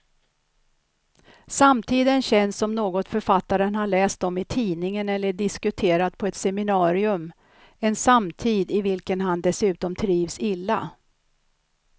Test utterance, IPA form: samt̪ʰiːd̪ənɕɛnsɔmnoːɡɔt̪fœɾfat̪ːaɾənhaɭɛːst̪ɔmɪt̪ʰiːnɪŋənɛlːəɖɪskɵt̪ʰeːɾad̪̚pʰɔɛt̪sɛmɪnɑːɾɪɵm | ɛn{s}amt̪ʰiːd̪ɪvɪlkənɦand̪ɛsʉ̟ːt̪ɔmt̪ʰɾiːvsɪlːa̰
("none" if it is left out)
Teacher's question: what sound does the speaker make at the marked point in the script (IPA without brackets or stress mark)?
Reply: s